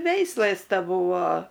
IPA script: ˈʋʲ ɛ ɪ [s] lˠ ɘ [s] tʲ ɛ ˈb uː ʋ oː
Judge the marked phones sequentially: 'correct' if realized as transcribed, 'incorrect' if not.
correct, correct

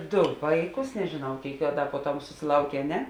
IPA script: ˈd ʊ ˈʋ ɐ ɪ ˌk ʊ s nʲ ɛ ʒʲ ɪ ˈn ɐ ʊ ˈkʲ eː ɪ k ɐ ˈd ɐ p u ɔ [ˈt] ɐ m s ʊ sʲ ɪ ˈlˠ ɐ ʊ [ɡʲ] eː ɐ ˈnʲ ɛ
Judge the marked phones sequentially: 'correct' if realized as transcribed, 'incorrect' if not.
correct, incorrect

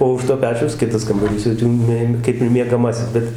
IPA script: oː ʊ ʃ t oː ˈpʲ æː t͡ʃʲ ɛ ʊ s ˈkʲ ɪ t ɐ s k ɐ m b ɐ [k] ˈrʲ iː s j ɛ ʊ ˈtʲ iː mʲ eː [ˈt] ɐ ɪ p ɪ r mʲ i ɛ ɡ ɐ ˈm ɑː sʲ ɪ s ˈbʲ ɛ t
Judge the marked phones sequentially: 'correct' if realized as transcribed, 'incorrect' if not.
incorrect, incorrect

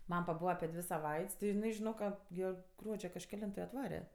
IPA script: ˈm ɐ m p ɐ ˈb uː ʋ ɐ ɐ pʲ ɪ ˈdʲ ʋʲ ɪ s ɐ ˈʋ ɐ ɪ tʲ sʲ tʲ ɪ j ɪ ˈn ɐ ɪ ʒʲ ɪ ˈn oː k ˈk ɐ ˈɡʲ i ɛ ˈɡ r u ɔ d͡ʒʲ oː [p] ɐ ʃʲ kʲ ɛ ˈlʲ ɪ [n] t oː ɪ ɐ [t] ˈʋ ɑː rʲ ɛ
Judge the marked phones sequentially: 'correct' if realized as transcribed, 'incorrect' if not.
incorrect, correct, correct

